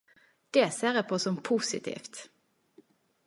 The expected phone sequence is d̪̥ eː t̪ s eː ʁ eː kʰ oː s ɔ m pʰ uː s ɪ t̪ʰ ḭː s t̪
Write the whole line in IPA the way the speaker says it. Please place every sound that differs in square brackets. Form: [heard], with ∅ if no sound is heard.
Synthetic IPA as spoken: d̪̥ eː [∅] s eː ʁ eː [pʰ] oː s ɔ m pʰ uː s ɪ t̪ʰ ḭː [f] t̪